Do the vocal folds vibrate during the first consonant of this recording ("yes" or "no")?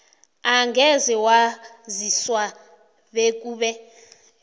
yes